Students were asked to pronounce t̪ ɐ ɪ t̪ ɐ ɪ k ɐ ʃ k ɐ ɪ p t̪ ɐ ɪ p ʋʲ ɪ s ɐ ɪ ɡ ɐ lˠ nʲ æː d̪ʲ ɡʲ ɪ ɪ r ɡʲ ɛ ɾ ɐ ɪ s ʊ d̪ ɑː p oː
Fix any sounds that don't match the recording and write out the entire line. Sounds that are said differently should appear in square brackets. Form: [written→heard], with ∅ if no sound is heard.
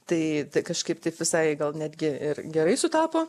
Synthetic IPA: t̪ ɐ ɪ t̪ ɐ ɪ k ɐ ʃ k ɐ ɪ p t̪ ɐ ɪ p ʋʲ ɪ s ɐ ɪ ɡ ɐ lˠ nʲ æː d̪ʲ ɡʲ ɪ ɪ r ɡʲ ɛ ɾ ɐ ɪ s ʊ [d̪→t̪] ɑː p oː